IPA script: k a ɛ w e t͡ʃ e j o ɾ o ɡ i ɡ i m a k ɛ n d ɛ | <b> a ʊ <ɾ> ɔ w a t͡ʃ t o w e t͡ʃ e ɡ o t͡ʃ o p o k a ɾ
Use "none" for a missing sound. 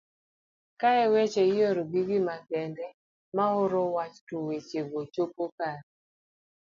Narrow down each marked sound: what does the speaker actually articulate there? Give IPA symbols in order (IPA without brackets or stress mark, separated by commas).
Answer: m, ɾ